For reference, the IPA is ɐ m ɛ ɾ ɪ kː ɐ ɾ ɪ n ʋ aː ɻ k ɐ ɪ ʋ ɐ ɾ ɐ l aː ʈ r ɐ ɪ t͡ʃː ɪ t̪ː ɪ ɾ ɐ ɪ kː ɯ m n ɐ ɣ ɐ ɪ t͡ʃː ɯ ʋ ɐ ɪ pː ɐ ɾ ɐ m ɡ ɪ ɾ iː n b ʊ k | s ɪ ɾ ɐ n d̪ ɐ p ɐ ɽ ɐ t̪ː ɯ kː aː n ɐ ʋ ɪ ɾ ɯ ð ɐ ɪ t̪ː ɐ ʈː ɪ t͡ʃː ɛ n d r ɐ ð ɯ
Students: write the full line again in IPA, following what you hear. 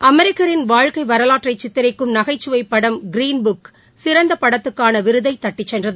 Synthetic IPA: ɐ m ɛ ɾ ɪ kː ɐ ɾ ɪ n ʋ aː ɻ k ɐ ɪ ʋ ɐ ɾ ɐ l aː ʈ r ɐ ɪ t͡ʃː ɪ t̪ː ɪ ɾ ɐ ɪ kː ɯ m n ɐ ɣ ɐ ɪ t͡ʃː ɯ ʋ ɐ ɪ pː ɐ ɽ ɐ m ɡ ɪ ɾ iː n b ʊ k | s ɪ ɾ ɐ n d̪ ɐ p ɐ ɽ ɐ t̪ː ɯ kː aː n ɐ ʋ ɪ ɾ ɯ ð ɐ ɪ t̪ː ɐ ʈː ɪ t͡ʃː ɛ n d r ɐ ð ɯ